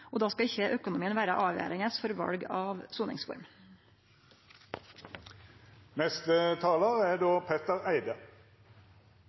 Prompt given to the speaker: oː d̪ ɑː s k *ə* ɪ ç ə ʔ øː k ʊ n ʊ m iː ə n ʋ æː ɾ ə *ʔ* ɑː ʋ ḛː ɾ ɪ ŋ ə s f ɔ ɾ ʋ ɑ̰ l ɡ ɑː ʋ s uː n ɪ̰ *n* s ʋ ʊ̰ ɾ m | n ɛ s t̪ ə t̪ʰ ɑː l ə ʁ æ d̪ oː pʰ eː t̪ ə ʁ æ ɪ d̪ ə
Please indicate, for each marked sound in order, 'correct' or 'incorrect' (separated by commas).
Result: incorrect, correct, incorrect